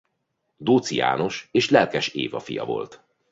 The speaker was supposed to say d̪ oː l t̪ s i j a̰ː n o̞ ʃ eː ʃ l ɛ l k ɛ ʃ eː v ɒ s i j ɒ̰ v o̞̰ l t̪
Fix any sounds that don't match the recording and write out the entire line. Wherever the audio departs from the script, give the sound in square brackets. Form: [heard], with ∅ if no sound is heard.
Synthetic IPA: d̪ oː [∅] t̪ s i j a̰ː n o̞ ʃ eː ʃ l ɛ l k ɛ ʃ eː v ɒ [f] i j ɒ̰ v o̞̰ l t̪